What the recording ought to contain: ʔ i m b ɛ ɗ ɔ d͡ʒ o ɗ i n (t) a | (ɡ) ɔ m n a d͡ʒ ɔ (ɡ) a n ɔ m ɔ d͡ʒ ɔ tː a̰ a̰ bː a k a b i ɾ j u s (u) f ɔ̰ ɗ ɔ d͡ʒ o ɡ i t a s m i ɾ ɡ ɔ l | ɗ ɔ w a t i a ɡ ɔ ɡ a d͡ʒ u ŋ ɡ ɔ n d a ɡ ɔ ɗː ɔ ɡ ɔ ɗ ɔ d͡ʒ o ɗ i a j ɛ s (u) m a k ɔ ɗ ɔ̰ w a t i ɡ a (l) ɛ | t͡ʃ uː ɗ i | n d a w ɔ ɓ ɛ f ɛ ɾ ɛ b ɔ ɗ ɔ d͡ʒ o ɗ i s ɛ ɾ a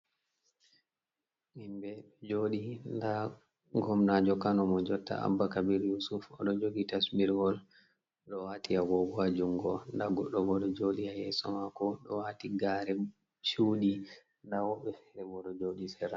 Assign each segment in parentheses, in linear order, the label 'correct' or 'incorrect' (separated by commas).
incorrect, correct, incorrect, correct, incorrect, incorrect